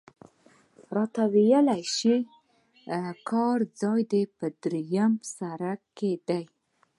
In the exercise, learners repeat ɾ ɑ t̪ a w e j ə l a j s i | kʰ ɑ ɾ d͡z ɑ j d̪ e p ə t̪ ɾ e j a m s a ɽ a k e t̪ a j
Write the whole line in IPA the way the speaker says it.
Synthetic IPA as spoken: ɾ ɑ t̪ a w e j ə l a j ʃ i | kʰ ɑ ɾ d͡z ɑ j d̪ e p ə d̪ ɾ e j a m s a ɾ a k e d̪ a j